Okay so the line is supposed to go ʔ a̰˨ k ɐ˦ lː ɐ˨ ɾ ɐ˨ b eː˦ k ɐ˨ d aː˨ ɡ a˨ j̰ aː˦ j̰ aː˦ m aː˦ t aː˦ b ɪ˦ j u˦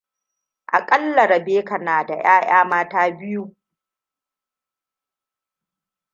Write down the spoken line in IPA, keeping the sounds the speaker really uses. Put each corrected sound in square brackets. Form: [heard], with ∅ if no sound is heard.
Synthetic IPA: ʔ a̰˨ [kʼ] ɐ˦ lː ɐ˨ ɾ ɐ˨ b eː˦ k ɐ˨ [n] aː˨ [d] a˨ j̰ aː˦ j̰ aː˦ m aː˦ t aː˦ b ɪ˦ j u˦

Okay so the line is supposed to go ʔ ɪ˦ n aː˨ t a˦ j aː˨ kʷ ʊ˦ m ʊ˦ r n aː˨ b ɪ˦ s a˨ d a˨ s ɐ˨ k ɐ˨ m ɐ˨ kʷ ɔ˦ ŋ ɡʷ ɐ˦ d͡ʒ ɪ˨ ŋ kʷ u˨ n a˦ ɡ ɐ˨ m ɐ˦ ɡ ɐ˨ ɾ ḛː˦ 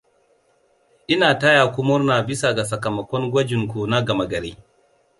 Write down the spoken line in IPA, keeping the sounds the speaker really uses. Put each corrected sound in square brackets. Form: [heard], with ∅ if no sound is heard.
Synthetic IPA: ʔ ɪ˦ n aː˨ t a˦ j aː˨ kʷ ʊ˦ m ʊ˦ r n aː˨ b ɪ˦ s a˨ [ɡ] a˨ s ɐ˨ k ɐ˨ m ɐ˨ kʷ ɔ˦ ŋ ɡʷ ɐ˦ d͡ʒ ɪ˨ ŋ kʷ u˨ n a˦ ɡ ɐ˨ m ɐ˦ ɡ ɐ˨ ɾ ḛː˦

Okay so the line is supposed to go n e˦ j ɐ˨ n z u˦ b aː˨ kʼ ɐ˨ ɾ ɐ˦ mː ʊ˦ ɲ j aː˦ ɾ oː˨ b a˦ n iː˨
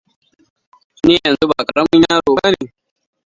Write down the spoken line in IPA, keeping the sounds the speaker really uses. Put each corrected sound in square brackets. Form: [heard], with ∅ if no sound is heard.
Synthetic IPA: n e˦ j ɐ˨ n z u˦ b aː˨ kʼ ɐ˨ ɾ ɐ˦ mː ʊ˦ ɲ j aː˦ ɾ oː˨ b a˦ n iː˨

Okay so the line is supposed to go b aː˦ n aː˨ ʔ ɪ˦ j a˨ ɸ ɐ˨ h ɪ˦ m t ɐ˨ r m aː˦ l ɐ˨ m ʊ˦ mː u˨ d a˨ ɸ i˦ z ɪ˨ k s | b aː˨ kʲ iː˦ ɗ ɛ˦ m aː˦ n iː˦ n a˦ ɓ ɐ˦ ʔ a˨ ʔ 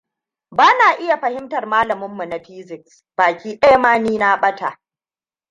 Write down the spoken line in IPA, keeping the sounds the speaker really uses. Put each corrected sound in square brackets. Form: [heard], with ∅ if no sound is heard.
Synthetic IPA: b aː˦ n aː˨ ʔ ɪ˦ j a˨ ɸ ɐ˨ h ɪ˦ m t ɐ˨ r m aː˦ l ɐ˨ m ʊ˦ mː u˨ [n] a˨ ɸ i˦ z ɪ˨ k s | b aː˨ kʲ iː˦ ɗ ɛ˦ m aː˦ n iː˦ n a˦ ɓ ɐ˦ [t] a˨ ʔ

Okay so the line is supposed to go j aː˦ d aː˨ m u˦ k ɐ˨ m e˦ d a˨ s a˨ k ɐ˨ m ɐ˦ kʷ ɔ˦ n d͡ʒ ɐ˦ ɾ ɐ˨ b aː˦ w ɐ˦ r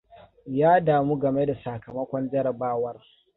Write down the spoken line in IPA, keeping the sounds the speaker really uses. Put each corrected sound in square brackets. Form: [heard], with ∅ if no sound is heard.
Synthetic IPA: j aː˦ d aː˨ m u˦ [ɡ] ɐ˨ m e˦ d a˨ s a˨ k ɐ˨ m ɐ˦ kʷ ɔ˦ n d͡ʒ ɐ˦ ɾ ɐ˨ b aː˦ w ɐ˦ r

